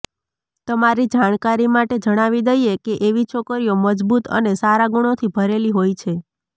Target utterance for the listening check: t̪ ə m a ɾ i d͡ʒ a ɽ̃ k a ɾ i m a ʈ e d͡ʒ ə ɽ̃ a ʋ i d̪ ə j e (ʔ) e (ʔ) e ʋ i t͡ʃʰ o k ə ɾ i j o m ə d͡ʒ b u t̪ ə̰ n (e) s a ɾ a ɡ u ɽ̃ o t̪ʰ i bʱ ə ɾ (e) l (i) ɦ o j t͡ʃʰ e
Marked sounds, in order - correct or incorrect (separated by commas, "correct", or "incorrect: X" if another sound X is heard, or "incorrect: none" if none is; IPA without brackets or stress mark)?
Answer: incorrect: k, correct, correct, correct, correct